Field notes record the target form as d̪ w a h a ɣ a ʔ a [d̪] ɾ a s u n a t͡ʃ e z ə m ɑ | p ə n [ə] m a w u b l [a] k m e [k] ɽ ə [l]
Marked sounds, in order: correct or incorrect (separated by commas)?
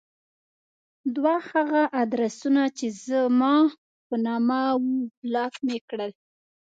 correct, incorrect, incorrect, correct, correct